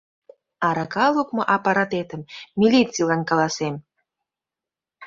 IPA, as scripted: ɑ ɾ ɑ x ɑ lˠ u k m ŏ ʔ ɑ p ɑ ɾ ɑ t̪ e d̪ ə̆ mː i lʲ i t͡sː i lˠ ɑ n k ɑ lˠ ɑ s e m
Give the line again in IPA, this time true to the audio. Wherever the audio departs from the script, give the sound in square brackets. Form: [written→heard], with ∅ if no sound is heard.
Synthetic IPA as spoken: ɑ ɾ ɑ [x→k] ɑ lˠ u k m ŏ ʔ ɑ p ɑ ɾ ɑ t̪ e [d̪→t̪] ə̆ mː i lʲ i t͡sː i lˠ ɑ n k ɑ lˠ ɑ s e m